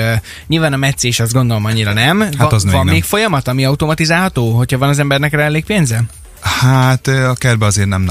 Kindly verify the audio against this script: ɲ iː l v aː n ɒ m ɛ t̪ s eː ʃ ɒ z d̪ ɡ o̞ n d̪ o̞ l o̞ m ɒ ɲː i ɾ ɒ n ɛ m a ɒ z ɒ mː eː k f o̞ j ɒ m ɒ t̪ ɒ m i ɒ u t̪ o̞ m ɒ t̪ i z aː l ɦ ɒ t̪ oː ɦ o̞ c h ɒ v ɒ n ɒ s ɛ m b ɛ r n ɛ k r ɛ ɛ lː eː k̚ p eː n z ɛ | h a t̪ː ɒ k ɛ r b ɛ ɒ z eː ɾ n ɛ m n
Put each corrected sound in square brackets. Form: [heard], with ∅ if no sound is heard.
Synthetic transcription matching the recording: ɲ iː l v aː n ɒ m ɛ t̪ s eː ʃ ɒ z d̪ ɡ o̞ n d̪ o̞ l o̞ m ɒ ɲː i ɾ ɒ n ɛ m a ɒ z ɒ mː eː k f o̞ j ɒ m ɒ t̪ ɒ m i ɒ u t̪ o̞ m ɒ t̪ i z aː l ɦ ɒ t̪ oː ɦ o̞ c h ɒ v ɒ n ɒ [z] ɛ m b ɛ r n ɛ k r ɛ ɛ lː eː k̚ p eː n z ɛ | h a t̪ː ɒ k ɛ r b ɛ ɒ z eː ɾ n ɛ m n